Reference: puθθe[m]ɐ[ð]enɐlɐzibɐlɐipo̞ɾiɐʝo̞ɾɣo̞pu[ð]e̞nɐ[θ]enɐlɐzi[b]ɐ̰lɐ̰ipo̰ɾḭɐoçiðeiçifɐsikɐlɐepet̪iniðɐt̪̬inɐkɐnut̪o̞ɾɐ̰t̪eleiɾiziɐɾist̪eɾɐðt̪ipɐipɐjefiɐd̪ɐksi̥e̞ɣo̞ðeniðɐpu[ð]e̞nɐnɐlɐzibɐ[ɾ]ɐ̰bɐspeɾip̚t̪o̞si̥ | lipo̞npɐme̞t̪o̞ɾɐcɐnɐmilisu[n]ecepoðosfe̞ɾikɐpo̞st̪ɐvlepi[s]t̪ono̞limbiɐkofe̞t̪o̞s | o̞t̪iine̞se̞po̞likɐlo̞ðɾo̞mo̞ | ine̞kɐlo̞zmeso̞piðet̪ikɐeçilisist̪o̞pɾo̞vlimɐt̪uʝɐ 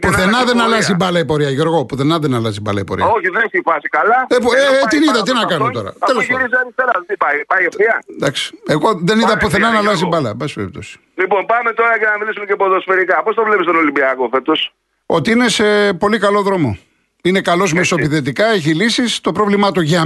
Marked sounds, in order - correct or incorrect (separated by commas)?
incorrect, correct, incorrect, incorrect, correct, incorrect, incorrect, incorrect, correct